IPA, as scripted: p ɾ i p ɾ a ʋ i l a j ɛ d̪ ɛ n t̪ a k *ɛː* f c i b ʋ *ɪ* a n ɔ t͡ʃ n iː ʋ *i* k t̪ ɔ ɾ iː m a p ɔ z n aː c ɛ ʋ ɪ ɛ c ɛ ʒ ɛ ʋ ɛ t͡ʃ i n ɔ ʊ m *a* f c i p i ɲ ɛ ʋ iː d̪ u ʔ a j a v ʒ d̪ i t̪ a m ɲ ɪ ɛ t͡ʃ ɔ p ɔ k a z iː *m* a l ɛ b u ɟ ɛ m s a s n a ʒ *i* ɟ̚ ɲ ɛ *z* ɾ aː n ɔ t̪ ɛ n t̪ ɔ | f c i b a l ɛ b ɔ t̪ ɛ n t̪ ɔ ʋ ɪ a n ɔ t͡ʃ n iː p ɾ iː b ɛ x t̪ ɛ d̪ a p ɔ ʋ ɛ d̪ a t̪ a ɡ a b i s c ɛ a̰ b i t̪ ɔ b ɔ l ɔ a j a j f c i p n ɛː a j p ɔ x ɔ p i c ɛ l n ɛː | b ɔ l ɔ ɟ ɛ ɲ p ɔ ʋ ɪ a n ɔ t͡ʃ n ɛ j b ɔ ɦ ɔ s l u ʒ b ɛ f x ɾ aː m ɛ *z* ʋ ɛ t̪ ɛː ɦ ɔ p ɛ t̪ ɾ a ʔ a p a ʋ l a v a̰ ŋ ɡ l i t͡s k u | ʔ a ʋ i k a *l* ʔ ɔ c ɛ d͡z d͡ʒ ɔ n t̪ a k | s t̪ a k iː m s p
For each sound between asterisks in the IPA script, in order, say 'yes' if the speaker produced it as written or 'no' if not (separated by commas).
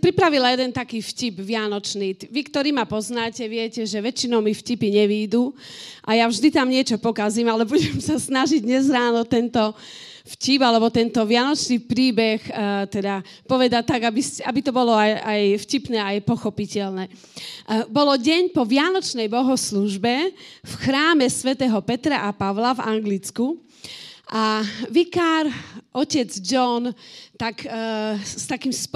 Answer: no, yes, yes, no, yes, yes, yes, no, no